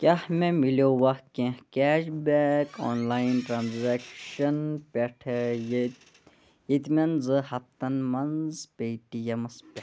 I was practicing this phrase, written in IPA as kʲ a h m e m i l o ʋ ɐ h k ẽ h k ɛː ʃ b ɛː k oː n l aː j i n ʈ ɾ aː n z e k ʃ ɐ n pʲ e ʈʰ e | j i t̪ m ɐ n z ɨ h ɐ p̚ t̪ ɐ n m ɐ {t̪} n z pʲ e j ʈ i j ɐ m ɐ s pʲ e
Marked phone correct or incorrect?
incorrect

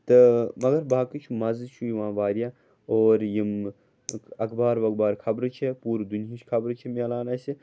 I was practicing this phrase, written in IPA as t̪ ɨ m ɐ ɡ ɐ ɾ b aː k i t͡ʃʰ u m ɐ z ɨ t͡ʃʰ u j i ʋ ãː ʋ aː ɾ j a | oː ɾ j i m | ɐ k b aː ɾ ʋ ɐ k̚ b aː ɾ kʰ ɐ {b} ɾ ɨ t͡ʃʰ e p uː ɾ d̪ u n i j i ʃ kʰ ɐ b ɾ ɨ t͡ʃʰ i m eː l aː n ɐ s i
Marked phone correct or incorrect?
correct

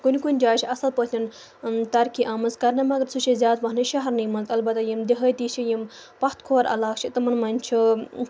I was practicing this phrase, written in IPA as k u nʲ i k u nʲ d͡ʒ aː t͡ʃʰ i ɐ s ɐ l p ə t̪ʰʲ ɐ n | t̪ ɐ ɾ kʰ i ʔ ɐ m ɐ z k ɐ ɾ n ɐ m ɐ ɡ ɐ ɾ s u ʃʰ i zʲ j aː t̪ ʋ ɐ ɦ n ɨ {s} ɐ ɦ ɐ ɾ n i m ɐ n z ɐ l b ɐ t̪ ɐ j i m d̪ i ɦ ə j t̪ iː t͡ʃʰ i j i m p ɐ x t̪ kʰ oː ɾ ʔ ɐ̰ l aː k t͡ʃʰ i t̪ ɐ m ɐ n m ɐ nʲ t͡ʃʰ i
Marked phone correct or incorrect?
incorrect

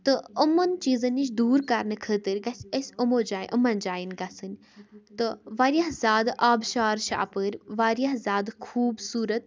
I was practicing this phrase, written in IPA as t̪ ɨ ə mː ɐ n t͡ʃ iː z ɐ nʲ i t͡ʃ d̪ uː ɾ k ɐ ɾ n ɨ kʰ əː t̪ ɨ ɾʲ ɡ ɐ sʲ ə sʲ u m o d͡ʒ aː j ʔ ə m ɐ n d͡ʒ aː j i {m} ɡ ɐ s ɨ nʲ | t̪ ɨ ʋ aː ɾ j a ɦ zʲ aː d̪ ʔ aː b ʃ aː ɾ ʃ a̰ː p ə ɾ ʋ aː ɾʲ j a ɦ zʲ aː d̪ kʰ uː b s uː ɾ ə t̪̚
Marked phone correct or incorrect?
incorrect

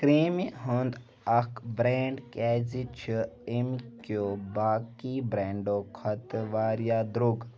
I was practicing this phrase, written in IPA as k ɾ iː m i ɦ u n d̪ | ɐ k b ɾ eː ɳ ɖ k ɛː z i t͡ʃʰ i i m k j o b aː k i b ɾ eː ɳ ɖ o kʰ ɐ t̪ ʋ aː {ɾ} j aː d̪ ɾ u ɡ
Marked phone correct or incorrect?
correct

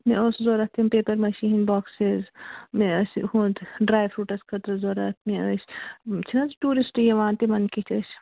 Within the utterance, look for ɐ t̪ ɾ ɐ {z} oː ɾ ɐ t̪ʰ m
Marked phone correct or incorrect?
correct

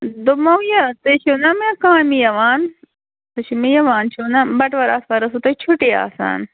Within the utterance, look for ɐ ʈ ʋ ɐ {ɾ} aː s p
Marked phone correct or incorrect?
correct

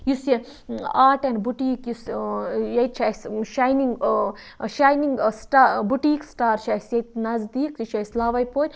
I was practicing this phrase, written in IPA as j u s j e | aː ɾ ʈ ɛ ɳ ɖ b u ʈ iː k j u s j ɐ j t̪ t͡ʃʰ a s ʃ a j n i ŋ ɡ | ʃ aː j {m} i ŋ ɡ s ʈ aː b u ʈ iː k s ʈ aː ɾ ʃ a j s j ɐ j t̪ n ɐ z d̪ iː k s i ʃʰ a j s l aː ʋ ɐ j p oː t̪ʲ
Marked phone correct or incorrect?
incorrect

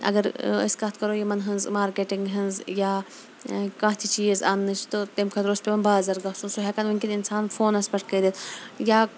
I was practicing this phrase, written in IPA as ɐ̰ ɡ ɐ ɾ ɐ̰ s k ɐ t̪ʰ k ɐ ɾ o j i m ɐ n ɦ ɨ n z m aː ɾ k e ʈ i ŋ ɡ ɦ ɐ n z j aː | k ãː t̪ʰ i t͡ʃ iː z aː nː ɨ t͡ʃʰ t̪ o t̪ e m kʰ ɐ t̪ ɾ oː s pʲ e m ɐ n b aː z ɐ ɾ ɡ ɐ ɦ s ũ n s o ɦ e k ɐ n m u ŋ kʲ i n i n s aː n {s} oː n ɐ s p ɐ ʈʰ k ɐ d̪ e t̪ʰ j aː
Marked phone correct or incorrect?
incorrect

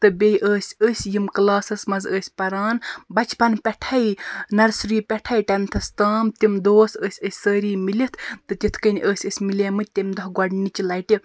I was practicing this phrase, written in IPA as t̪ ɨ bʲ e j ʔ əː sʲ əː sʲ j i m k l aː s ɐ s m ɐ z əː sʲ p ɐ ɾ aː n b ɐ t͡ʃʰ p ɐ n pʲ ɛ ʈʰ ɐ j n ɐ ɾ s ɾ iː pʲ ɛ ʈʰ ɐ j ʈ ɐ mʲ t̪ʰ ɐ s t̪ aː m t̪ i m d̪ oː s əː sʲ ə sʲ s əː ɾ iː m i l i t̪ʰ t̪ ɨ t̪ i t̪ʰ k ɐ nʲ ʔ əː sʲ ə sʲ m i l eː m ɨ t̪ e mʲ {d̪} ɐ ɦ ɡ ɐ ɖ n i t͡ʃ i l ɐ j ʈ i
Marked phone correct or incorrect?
correct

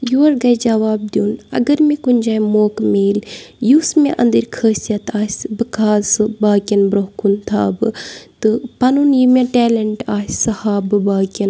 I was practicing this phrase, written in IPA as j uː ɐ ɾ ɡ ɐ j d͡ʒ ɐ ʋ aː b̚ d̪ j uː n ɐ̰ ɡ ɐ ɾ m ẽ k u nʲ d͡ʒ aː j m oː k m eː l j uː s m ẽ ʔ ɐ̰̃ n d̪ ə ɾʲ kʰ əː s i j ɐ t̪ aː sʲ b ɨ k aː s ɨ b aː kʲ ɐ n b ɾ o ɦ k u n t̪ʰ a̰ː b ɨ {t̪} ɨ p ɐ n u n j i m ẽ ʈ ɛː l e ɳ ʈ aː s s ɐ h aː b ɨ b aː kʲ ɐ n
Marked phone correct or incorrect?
correct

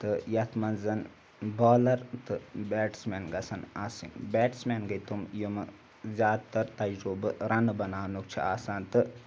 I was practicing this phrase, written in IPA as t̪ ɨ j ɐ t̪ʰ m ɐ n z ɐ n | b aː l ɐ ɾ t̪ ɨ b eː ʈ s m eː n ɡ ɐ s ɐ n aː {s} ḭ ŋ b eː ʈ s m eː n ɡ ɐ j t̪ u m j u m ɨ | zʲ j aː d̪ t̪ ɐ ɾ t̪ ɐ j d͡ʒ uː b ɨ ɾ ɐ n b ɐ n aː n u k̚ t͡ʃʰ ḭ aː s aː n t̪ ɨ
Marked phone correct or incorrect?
correct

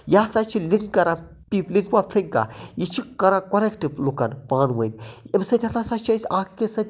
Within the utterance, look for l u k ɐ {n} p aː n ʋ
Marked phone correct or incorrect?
correct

